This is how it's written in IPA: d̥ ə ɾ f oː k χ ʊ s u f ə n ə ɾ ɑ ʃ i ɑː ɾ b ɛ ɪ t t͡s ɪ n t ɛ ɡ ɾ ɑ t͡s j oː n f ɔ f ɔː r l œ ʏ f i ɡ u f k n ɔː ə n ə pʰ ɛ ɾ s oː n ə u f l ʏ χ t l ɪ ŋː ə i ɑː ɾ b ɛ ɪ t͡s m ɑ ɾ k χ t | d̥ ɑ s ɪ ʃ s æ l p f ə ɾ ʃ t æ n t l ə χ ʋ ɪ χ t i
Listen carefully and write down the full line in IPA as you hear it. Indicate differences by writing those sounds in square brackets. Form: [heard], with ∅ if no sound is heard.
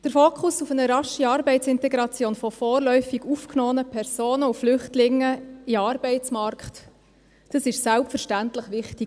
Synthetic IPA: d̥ ə ɾ f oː k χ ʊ s u f ə n ə ɾ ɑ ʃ i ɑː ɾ b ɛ ɪ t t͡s ɪ n t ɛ ɡ ɾ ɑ t͡s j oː n f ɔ f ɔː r l œ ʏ f i ɡ u f k n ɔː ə n ə pʰ ɛ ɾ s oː n ə u f l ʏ χ t l ɪ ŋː ə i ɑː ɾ b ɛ ɪ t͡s m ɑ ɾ k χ t | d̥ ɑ s ɪ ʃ s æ l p f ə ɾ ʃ t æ n t l ə χ ʋ ɪ χ t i

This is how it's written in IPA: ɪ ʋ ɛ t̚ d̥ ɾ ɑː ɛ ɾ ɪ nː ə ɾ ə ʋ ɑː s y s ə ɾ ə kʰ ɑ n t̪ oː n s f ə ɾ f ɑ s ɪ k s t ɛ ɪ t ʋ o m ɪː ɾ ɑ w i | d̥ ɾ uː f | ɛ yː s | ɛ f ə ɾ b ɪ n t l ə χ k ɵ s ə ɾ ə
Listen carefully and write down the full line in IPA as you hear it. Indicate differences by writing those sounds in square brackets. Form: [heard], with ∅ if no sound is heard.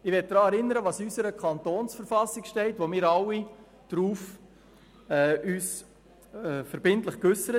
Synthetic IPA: ɪ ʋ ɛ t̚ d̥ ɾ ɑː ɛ ɾ ɪ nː ə ɾ ə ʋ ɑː s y s ə ɾ ə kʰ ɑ n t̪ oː n s f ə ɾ f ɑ s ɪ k [ʃ] t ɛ ɪ t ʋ o m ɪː ɾ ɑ w i | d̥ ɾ uː f | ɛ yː s | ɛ f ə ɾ b ɪ n t l ə χ k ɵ s ə ɾ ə

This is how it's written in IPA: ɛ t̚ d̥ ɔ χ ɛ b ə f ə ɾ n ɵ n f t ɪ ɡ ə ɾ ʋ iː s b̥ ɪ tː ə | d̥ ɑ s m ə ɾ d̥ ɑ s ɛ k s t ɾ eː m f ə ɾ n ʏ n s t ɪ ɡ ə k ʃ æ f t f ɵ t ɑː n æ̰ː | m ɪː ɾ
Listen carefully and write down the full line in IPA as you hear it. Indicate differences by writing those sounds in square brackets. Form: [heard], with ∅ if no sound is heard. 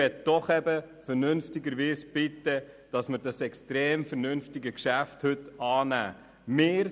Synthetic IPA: ɛ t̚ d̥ ɔ χ ɛ b ə f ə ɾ n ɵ n f t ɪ ɡ ə ɾ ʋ iː s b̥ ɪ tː ə | d̥ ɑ s m ə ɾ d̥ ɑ s ɛ k s t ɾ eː m f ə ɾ n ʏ n [f] t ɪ ɡ ə k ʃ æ f t [h] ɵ t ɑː n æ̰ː | m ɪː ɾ

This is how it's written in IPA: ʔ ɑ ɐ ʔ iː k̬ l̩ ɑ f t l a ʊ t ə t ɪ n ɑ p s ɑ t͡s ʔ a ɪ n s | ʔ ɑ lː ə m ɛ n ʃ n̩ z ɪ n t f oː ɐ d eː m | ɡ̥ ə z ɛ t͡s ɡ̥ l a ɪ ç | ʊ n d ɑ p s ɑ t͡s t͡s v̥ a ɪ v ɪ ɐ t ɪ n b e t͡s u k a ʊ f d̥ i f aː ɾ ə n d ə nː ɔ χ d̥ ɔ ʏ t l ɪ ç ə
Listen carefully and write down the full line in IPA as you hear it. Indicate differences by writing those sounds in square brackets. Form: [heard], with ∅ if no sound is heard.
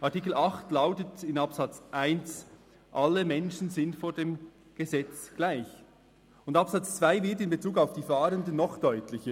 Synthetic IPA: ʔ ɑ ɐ [t] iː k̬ l̩ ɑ [χ] t l a ʊ t ə t ɪ n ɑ p s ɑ t͡s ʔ a ɪ n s | ʔ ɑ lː ə m ɛ n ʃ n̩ z ɪ n t f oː ɐ d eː m | ɡ̥ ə z ɛ t͡s ɡ̥ l a ɪ ç | ʊ n d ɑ p s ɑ t͡s t͡s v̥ a ɪ v ɪ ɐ t ɪ n b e t͡s [uː] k a ʊ f d̥ [iː] f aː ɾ ə n d ə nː ɔ χ d̥ ɔ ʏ t l ɪ ç ə

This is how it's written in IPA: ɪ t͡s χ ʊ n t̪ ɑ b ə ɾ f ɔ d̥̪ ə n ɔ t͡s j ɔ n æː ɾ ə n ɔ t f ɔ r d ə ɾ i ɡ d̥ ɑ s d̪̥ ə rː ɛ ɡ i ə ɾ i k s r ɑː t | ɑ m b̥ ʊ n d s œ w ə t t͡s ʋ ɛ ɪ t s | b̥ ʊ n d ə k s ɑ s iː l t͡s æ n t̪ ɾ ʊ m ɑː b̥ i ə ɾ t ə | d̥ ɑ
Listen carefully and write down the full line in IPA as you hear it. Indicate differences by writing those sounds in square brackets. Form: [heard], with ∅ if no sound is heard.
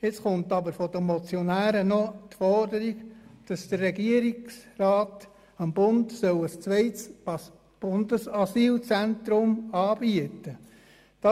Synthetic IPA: ɪ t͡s χ ʊ n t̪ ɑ b ə ɾ f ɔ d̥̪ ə [m] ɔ t͡s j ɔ n æː ɾ ə n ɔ t f ɔ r d ə ɾ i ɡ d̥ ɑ s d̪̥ ə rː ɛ ɡ i ə ɾ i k s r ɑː t | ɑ m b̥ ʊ n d s œ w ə [s] t͡s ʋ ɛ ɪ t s | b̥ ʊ n d ə [∅] s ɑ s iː l t͡s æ n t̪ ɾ ʊ m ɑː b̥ i ə [∅] t ə | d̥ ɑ

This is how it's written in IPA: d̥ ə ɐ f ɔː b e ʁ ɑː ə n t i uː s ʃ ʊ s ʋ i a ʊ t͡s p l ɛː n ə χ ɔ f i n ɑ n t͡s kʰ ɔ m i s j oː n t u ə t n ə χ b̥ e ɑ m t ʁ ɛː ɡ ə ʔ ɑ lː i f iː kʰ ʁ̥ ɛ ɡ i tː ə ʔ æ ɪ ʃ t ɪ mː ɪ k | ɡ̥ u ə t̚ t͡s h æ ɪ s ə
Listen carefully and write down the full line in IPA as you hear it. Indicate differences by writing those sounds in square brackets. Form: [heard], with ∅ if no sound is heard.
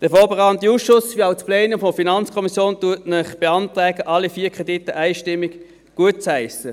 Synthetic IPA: d̥ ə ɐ f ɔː b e ʁ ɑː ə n t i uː s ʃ ʊ s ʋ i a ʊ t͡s p l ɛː n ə [f] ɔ f i n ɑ n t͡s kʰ ɔ m i s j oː n t u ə t n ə χ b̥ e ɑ [n] t ʁ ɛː ɡ ə ʔ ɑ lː i f iː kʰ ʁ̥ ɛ [d] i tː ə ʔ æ ɪ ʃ t ɪ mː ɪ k | ɡ̥ u ə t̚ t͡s h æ ɪ s ə

